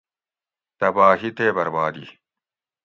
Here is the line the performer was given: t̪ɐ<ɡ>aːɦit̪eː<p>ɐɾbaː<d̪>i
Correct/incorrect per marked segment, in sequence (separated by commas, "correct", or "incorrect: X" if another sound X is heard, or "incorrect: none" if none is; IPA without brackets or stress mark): incorrect: b, incorrect: b, correct